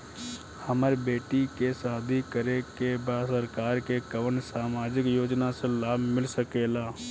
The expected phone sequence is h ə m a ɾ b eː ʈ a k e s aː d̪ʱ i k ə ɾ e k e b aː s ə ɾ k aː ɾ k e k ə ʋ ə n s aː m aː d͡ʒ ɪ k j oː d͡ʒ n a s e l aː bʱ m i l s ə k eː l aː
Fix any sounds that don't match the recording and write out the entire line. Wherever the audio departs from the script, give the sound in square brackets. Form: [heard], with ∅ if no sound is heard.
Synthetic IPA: h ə m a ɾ b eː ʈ [i] k e s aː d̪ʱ i k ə ɾ e k e b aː s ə ɾ k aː ɾ k e k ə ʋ ə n s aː m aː d͡ʒ ɪ k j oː d͡ʒ n a s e l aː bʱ m [ɪ] l s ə k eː l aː